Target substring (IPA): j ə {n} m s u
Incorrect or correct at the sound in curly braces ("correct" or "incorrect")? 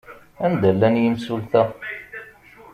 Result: incorrect